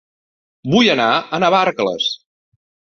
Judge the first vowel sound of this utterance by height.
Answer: high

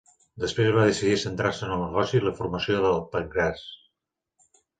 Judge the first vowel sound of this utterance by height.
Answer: mid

